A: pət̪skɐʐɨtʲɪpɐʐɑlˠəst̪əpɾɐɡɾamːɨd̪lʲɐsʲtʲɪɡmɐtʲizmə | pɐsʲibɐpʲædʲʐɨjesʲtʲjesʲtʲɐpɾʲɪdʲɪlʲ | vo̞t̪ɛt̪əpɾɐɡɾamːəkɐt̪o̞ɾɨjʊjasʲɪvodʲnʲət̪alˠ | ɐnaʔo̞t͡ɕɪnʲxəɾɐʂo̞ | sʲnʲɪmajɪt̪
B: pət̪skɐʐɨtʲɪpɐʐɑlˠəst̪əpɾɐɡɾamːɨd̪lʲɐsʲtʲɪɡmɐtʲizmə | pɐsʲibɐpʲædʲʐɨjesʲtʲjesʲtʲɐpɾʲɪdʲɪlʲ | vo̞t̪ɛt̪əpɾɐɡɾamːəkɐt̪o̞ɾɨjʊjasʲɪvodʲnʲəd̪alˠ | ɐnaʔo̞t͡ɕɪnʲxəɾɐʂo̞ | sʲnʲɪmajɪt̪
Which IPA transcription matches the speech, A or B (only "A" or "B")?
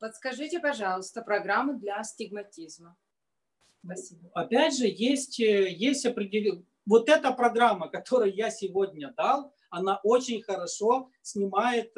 B